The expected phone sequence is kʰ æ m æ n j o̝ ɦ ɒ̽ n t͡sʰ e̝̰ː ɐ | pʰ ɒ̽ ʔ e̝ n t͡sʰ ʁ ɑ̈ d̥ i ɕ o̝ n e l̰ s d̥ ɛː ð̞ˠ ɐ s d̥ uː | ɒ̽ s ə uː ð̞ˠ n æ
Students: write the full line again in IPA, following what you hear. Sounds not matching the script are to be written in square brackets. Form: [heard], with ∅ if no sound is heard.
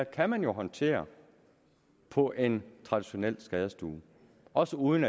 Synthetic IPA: kʰ æ m æ n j o̝ ɦ ɒ̽ n t͡sʰ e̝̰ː ɐ | pʰ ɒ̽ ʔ e̝ n t͡sʰ ʁ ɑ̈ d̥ i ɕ o̝ n e l̰ s [ɡ̥] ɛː ð̞ˠ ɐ s d̥ uː | ɒ̽ s ə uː ð̞ˠ n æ

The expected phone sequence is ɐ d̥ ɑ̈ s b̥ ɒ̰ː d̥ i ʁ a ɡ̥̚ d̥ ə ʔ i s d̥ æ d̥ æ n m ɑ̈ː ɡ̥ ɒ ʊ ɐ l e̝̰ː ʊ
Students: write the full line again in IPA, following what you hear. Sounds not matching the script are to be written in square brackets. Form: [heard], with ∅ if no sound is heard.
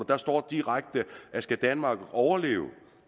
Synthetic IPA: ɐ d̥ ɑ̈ s [d̥] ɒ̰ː d̥ i ʁ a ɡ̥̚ d̥ ə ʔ [æ] s [ɡ̥] æ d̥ æ n m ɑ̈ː ɡ̥ ɒ ʊ ɐ l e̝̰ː ʊ

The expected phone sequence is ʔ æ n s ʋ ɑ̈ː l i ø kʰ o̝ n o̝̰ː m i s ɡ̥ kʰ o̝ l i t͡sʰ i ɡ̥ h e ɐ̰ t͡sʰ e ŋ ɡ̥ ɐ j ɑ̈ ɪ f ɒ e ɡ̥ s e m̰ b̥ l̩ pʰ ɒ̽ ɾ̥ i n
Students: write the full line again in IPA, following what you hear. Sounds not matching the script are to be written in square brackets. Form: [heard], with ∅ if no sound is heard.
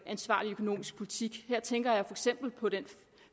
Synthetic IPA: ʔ æ n s ʋ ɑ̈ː l i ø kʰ o̝ n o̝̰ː m i s ɡ̥ [pʰ] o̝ l i t͡sʰ i ɡ̥ h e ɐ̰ t͡sʰ e ŋ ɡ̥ ɐ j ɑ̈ ɪ f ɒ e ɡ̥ s e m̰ b̥ l̩ pʰ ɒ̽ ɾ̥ [e] n

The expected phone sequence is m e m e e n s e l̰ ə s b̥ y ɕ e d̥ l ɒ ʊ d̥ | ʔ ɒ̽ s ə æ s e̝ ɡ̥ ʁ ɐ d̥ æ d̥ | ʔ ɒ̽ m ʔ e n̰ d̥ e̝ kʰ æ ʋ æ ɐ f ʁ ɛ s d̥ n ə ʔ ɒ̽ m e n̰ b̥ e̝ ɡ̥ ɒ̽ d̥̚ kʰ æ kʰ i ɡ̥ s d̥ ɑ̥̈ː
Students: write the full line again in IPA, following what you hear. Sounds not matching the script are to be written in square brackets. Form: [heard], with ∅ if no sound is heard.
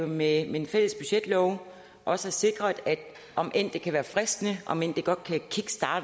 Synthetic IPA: m e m e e n [f] e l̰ ə s b̥ y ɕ e d̥ l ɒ ʊ [∅] | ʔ ɒ̽ s ə æ s e̝ ɡ̥ ʁ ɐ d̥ æ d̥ | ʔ ɒ̽ m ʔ e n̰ d̥ e̝ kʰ æ ʋ [æː] ɐ f ʁ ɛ s d̥ n ə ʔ ɒ̽ m e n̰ [d̥] e̝ ɡ̥ ɒ̽ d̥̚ kʰ æ kʰ i ɡ̥ s d̥ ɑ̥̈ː

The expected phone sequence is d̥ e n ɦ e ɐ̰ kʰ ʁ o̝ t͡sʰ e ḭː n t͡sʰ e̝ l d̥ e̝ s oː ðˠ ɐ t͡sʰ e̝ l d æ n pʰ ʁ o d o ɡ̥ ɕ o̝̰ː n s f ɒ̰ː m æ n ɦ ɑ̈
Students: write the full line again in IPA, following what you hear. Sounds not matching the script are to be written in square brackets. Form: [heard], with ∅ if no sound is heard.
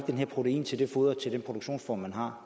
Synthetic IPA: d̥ e n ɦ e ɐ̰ [pʰ] ʁ o̝ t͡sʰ e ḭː n t͡sʰ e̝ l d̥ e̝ [f] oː ðˠ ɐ t͡sʰ e̝ l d [e] n pʰ ʁ o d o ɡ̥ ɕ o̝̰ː n s f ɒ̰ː m æ n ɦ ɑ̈

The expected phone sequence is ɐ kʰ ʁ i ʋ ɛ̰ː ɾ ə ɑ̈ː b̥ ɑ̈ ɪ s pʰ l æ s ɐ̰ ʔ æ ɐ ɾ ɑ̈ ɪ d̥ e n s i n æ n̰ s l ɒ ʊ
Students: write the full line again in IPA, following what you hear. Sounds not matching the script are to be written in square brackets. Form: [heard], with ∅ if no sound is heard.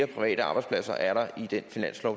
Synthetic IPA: ɐ [pʰ] ʁ i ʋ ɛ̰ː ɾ ə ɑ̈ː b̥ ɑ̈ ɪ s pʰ l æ s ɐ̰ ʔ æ ɐ ɾ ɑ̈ [i] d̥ e n [f] i n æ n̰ s l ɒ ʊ

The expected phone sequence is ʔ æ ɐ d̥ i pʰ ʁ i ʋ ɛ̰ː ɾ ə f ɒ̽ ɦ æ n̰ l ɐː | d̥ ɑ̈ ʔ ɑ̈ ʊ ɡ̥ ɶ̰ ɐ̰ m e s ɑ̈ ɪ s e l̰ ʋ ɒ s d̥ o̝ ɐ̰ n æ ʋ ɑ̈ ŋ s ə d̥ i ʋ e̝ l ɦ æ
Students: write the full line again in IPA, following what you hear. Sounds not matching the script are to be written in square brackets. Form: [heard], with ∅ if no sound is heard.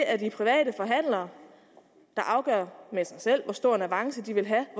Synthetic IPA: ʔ æ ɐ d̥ i pʰ ʁ i ʋ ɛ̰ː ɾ ə f ɒ̽ ɦ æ n̰ l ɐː | d̥ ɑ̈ ʔ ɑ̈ ʊ ɡ̥ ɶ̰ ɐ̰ m e s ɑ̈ ɪ s e l̰ ʋ ɒ s d̥ o̝ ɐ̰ n æ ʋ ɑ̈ ŋ s ə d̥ i ʋ e̝ l ɦ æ

